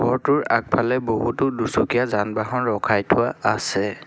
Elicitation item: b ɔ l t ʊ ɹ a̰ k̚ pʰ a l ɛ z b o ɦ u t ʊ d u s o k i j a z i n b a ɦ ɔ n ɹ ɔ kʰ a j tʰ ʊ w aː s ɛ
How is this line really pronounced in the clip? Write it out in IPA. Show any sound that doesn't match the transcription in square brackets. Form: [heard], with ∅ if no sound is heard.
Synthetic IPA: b ɔ [ɹ] t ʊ ɹ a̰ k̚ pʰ a l ɛ [∅] b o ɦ u t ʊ d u s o k i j a z [a] n b a ɦ ɔ n ɹ ɔ kʰ a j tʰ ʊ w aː s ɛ